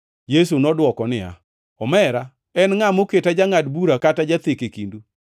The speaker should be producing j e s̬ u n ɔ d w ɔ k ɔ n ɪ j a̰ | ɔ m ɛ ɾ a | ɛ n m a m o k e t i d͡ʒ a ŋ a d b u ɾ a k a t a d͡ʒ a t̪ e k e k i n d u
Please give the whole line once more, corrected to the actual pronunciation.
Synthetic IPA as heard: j e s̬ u n ɔ d w ɔ k ɔ n ɪ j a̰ | ɔ m ɛ ɾ a | ɛ n ŋ a m o k e t a d͡ʒ a ŋ a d b u ɾ a k a t a d͡ʒ a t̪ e k e k i n d u

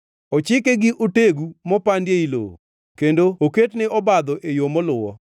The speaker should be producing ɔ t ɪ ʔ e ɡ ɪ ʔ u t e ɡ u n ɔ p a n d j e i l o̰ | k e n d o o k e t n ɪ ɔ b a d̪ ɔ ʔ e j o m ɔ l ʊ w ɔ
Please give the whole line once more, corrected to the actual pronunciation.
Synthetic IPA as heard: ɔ t͡ʃ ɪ k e ɡ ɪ ʔ o t e ɡ u m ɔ p a n d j e i l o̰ | k e n d o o k e t n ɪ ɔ b a d̪ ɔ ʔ e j o m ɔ l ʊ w ɔ

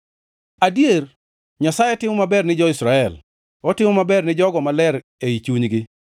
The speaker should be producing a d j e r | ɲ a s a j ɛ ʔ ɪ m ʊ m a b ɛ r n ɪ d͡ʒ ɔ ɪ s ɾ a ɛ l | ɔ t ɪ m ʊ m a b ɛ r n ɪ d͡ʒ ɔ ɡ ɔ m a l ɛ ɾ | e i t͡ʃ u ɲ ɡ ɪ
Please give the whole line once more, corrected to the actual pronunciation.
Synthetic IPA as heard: a d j e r | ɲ a s a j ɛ t ɪ m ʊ m a b ɛ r n ɪ d͡ʒ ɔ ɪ s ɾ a ɛ l | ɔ t ɪ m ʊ m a b ɛ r n ɪ d͡ʒ ɔ ɡ ɔ m a l ɛ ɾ | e i t͡ʃ u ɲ ɡ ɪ

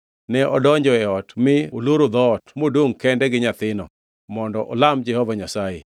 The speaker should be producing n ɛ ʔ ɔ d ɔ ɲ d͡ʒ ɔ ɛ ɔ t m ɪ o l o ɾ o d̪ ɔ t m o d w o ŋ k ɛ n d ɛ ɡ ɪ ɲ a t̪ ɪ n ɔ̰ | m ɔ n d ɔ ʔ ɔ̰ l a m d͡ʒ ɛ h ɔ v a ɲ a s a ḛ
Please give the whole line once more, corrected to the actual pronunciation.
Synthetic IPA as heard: n ɛ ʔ ɔ d ɔ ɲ d͡ʒ ɔ ɛ ɔ t m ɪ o l o ɾ o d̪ ɔ t m o d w o ŋ k ɛ n d ɛ ɡ ɪ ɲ a t̪ ɪ n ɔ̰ | m ɔ n d ɔ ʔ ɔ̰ l a m d͡ʒ ɛ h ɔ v a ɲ a s a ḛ

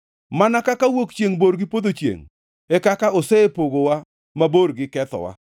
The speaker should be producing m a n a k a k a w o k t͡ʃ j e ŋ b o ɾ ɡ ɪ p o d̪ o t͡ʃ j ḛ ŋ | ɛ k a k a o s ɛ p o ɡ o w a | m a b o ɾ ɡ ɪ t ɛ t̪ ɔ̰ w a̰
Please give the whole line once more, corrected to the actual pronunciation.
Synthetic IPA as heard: m a n a k a k a w o k t͡ʃ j e ŋ b o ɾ ɡ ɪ p o d̪ o t͡ʃ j ḛ ŋ | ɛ k a k a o s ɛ p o ɡ o w a | m a b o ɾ ɡ ɪ k ɛ t̪ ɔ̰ w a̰

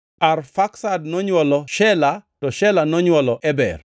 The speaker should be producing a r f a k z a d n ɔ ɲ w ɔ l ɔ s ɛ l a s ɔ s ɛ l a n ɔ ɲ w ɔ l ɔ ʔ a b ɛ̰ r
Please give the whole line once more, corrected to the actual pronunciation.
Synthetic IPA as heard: a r f a k s a d n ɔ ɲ w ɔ l ɔ ʃ ɛ l a t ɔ ʃ ɛ l a n ɔ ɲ w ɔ l ɔ ʔ ɛ b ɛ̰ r

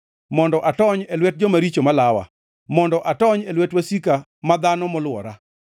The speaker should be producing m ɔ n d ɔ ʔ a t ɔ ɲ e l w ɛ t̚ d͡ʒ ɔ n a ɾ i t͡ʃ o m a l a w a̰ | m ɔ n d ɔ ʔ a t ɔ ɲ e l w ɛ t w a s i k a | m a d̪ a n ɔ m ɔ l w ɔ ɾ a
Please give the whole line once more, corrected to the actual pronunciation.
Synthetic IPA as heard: m ɔ n d ɔ ʔ a t ɔ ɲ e l w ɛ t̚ d͡ʒ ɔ m a ɾ i t͡ʃ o m a l a w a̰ | m ɔ n d ɔ ʔ a t ɔ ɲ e l w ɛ t w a s i k a | m a d̪ a n ɔ m ɔ l w ɔ ɾ a

